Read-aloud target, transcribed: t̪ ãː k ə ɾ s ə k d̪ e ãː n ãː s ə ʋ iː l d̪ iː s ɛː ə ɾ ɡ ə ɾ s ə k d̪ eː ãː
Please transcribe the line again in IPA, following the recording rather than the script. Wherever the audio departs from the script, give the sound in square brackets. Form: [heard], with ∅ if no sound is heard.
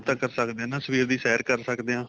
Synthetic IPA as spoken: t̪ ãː k ə ɾ s ə k d̪ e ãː n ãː s ə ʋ iː [ɾ] d̪ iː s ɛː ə ɾ [k] ə ɾ s ə k d̪ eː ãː